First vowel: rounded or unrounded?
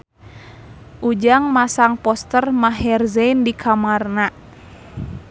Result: rounded